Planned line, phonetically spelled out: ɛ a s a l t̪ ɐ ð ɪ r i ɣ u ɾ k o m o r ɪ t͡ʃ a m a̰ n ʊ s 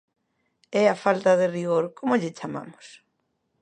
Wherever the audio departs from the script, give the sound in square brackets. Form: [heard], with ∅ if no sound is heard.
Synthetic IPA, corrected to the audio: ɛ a [f] a l t̪ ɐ ð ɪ r i ɣ [o] ɾ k o m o [ʎ] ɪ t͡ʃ a m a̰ [m] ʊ s